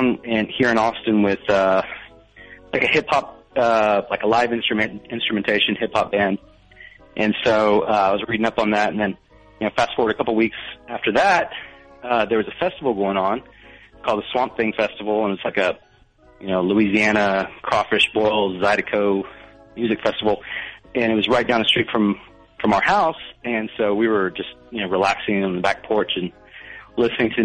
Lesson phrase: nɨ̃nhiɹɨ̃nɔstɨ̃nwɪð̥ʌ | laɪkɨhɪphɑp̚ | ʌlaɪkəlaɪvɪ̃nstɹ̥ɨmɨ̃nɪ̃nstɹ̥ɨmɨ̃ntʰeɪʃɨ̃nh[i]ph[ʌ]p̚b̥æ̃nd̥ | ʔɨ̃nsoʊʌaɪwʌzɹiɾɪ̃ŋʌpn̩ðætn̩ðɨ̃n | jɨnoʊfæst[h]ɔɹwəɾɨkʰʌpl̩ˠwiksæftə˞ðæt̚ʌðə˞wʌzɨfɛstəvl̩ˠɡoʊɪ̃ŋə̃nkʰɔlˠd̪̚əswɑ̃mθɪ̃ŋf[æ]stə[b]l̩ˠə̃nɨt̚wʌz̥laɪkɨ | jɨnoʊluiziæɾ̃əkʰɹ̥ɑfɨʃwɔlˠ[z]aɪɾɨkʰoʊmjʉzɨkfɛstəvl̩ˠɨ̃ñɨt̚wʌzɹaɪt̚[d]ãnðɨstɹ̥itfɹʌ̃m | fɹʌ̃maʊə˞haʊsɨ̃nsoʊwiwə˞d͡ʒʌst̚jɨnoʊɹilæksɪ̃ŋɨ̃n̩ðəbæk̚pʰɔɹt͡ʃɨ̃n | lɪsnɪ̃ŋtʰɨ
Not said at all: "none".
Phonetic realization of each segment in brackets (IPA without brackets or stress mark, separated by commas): ɪ, ɑ, f, ɛ, v, z, d